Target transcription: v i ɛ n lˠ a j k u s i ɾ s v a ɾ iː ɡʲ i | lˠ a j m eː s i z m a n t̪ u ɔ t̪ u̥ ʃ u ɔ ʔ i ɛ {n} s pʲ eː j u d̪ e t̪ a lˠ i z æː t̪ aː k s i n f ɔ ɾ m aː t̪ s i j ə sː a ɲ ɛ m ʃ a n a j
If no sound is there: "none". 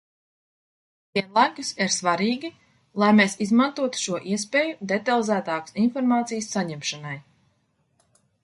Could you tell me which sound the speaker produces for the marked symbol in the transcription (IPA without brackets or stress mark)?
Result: none